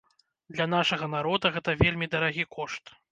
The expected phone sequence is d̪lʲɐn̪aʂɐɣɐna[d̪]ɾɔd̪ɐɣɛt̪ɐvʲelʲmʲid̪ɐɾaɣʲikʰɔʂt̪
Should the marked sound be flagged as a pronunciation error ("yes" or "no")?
yes